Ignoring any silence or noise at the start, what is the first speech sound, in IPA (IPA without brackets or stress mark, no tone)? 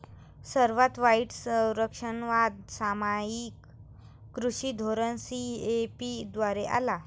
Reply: s